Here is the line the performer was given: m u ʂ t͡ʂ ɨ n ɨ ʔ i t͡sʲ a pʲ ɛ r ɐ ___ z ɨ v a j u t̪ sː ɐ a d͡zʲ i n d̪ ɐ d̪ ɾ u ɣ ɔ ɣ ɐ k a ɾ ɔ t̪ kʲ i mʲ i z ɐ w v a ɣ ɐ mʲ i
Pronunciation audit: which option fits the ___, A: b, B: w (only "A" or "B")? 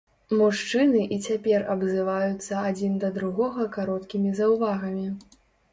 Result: A